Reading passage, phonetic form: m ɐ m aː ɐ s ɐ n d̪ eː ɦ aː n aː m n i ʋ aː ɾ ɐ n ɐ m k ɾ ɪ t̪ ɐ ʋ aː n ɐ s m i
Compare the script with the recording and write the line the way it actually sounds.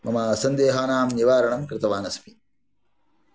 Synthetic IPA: m ɐ m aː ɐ s ɐ n d̪ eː ɦ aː n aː m n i ʋ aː ɾ ɐ ɳ ɐ m k ɾ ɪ t̪ ɐ ʋ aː n ɐ s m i